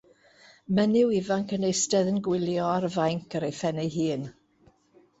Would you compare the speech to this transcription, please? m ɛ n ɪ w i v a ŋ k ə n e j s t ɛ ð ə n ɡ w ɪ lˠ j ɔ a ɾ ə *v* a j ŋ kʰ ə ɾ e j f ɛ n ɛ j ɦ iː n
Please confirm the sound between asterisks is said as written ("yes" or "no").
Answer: yes